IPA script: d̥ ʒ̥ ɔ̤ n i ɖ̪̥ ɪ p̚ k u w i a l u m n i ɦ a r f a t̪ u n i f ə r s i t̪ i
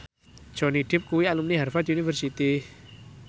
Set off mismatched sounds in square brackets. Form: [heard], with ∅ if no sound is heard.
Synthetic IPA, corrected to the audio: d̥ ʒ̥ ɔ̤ n i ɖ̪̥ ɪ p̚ k u w i a l u m n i ɦ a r f a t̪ u n i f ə r s i t̪ i